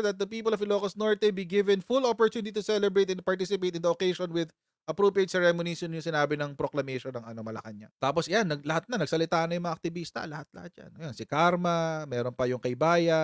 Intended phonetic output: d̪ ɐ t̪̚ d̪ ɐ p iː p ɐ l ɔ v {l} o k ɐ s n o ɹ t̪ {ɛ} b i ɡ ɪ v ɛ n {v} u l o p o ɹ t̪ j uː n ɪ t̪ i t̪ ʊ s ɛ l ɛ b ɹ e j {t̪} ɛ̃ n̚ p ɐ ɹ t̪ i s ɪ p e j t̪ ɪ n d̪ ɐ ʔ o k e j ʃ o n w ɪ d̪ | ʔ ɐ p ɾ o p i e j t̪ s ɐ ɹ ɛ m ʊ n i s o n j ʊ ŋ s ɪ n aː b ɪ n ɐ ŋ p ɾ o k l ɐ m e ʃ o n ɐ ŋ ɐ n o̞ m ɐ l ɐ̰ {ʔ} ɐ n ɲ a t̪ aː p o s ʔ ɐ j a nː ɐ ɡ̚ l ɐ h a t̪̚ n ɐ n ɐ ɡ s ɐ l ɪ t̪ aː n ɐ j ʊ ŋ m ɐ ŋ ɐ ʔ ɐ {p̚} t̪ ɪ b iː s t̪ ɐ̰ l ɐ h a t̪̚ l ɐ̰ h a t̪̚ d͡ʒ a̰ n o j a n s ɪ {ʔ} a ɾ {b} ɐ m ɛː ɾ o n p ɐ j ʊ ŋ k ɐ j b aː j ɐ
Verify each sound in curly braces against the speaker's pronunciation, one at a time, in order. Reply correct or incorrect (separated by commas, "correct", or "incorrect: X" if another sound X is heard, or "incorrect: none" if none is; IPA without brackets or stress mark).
correct, correct, incorrect: f, correct, incorrect: k, incorrect: k̚, incorrect: k, incorrect: m